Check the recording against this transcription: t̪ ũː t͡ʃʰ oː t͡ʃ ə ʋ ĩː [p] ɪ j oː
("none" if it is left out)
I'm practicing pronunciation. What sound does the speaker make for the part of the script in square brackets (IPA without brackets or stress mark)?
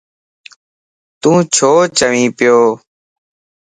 p